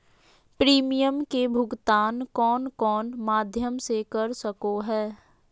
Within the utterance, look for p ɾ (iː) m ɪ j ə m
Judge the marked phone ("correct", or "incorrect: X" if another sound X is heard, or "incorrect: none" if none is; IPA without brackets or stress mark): correct